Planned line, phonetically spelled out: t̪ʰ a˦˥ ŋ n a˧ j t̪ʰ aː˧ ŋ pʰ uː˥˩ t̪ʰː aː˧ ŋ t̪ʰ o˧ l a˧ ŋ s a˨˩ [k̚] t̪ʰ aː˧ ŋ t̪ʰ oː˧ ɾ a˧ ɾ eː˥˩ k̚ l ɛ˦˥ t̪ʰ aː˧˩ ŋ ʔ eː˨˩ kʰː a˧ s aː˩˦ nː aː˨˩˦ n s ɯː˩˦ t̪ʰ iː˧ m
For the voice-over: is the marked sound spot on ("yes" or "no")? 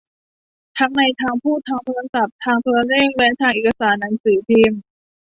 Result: no